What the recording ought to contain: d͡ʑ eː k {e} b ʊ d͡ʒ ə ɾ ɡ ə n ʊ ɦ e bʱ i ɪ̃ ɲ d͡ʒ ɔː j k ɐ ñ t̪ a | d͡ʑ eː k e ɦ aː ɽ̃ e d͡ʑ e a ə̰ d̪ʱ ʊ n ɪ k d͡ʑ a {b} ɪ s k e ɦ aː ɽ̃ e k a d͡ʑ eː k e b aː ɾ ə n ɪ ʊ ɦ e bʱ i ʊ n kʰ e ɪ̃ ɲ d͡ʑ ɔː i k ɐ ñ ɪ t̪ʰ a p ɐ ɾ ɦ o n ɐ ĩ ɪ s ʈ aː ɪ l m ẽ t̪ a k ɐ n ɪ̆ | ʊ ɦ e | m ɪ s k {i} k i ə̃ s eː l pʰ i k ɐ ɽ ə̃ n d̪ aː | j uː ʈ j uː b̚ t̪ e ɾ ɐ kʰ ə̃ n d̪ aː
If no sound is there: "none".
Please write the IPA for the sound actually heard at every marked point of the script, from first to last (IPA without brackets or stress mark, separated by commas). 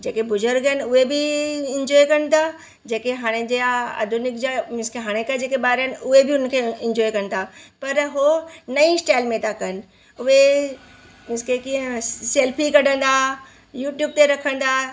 e, m, e